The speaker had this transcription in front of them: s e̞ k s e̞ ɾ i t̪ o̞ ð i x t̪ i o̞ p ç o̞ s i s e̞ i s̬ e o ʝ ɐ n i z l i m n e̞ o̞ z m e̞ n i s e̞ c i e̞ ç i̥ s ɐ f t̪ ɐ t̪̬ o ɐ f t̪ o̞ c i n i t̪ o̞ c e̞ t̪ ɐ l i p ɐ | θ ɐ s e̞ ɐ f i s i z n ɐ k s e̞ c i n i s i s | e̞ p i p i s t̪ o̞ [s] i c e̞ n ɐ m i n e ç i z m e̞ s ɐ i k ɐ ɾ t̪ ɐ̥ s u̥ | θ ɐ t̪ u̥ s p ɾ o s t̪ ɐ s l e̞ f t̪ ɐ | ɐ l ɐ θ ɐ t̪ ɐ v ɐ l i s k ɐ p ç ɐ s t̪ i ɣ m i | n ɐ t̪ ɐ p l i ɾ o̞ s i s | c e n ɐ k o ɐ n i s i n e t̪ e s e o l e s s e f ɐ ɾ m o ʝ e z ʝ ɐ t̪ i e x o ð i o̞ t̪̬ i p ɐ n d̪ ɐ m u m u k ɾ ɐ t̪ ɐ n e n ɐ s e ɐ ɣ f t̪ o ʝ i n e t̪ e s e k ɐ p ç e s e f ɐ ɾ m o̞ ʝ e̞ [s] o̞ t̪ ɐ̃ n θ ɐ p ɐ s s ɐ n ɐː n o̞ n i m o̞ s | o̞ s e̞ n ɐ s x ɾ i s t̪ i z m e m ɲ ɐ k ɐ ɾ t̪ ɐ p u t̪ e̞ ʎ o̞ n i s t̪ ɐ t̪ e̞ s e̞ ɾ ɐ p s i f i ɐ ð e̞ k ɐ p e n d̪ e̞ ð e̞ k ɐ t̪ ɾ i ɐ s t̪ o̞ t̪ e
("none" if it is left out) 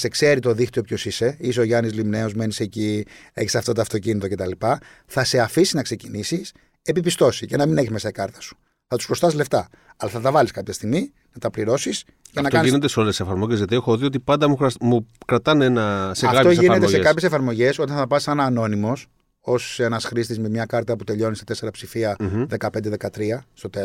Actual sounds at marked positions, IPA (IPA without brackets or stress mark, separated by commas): s, s